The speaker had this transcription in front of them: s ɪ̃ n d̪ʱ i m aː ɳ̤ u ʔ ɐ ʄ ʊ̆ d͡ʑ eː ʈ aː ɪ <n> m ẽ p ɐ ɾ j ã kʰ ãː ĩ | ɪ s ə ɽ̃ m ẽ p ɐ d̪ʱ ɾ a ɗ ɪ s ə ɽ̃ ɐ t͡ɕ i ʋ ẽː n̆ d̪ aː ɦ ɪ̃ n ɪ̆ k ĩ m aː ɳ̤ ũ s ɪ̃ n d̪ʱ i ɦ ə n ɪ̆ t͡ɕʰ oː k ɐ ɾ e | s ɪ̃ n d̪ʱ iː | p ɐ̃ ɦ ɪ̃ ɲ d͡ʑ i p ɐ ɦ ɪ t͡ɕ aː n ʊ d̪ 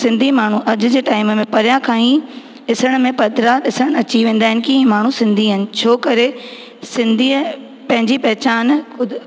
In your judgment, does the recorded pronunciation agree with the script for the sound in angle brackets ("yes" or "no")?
no